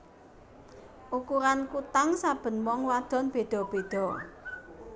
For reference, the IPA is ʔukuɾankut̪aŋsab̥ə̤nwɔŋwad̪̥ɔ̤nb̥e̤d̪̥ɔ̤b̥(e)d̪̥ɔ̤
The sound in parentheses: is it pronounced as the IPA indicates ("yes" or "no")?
yes